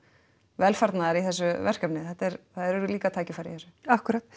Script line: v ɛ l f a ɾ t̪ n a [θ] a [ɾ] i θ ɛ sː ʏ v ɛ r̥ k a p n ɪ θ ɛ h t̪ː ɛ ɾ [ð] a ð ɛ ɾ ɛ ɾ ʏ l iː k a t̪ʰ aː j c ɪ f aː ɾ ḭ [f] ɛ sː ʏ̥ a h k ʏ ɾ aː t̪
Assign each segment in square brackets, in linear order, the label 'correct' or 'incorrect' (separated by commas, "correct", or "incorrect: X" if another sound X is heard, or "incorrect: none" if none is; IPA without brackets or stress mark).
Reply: incorrect: ð, correct, incorrect: θ, incorrect: θ